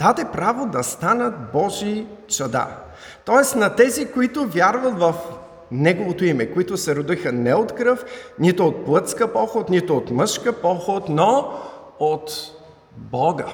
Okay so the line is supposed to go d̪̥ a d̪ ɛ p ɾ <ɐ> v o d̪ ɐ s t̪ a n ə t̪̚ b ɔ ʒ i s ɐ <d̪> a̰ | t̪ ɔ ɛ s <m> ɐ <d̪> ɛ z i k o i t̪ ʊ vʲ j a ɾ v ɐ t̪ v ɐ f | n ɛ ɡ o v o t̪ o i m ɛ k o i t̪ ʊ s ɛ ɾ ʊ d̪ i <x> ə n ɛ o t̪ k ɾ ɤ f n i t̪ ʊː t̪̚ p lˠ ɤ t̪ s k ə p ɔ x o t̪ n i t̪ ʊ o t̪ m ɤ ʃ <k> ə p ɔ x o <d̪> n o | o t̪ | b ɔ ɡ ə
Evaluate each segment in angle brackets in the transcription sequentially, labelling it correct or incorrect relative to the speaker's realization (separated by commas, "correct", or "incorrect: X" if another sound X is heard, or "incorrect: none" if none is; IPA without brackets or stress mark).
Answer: incorrect: a, correct, incorrect: n, incorrect: t̪, correct, correct, incorrect: t̪